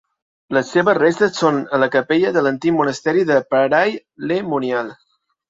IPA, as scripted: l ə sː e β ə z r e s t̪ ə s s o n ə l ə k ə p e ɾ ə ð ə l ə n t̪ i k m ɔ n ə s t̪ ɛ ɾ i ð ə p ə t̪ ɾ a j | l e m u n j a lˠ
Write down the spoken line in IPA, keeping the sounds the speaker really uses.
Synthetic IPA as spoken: l ə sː e β ə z r e s t̪ ə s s o n ə l ə k ə p e ʎ ə ð ə l ə n t̪ i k m u n ə s t̪ ɛ ɾ i ð ə p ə ɾ a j | l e m u n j a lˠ